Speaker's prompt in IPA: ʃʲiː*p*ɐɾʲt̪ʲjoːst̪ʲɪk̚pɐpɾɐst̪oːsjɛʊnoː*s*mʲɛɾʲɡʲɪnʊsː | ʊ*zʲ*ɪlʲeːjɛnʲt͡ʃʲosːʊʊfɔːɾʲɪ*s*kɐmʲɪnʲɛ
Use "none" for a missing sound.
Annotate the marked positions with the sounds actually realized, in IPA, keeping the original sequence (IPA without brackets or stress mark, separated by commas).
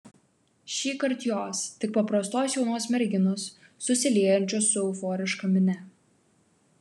k, s, sʲ, ʃ